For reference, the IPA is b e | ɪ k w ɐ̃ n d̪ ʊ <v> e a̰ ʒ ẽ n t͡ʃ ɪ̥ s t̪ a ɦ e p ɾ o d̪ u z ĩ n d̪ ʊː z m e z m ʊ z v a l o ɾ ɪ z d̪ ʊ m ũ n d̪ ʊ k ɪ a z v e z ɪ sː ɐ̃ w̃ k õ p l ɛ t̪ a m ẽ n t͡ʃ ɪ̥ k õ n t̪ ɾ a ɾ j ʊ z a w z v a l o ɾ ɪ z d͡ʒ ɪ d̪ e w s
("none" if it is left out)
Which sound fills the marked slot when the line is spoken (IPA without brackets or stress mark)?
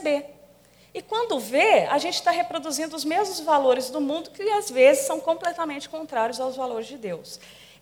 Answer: v